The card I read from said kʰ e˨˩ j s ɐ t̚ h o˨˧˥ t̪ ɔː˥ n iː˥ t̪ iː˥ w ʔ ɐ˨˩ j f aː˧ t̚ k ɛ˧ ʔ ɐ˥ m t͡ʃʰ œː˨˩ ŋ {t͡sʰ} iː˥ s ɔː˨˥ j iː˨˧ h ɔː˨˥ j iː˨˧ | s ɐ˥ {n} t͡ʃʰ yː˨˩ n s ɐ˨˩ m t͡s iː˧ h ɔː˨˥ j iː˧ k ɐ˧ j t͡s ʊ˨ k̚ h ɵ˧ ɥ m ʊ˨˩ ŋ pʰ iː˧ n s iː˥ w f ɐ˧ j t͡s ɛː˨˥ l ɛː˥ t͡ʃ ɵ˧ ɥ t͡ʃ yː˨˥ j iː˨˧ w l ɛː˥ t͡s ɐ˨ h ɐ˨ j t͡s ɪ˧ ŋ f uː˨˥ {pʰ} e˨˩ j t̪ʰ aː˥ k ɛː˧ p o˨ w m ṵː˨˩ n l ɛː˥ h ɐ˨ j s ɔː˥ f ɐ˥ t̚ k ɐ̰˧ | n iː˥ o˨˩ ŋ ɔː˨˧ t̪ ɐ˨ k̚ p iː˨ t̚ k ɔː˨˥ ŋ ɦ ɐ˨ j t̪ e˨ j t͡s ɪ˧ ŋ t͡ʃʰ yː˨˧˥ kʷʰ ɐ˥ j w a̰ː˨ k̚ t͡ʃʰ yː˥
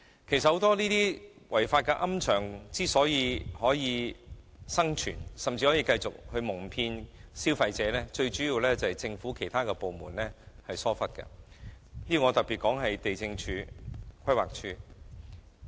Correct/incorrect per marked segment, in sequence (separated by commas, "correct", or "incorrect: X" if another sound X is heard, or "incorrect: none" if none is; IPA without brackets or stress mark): incorrect: t͡s, incorrect: ŋ, incorrect: kʰ